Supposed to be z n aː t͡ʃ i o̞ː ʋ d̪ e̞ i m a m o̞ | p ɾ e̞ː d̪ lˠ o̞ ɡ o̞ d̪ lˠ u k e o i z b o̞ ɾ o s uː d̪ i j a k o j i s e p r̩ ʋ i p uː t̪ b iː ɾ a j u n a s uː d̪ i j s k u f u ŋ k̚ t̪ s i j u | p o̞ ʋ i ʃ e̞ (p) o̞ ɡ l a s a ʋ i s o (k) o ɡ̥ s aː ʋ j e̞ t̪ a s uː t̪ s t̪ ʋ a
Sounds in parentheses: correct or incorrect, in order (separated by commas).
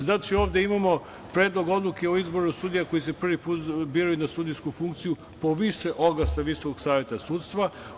incorrect, correct